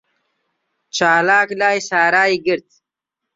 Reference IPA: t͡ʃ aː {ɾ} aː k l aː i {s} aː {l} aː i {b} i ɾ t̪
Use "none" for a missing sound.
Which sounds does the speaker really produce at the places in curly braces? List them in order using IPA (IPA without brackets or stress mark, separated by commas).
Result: l, s, ɾ, ɡ